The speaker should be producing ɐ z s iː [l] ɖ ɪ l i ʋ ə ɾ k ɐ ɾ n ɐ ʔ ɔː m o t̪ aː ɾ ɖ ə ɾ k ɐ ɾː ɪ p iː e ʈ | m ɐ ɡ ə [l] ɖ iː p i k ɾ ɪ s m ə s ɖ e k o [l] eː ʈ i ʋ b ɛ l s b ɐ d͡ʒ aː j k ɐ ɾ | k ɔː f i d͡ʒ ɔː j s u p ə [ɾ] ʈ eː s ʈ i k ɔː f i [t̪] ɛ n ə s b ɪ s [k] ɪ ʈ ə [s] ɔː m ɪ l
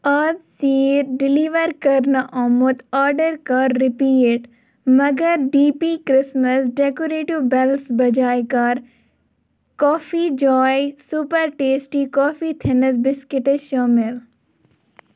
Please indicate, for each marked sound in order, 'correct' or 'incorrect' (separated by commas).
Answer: incorrect, incorrect, incorrect, correct, incorrect, correct, incorrect